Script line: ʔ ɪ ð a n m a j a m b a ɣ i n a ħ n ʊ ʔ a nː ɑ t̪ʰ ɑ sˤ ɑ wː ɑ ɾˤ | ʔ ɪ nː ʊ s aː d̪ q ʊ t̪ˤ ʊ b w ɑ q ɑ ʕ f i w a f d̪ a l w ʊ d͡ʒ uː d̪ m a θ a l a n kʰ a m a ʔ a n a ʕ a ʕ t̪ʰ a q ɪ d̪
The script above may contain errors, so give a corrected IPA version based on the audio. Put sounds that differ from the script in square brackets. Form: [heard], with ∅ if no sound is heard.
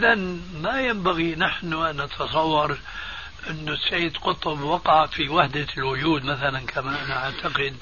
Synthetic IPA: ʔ ɪ ð a n m a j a m b a ɣ i n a ħ n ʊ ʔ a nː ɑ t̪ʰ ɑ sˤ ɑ wː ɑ ɾˤ | ʔ ɪ nː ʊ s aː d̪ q ʊ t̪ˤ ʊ b w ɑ q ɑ ʕ f i w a [ħ] d̪ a l w ʊ d͡ʒ uː d̪ m a θ a l a n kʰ a m a ʔ a n a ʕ a ʕ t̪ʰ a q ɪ d̪